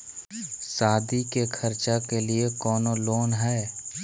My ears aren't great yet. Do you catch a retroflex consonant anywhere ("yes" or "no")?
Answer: no